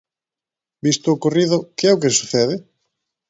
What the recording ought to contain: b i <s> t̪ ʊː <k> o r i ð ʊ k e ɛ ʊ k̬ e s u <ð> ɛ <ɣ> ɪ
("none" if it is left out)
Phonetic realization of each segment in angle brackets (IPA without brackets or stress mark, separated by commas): s, k, θ, ð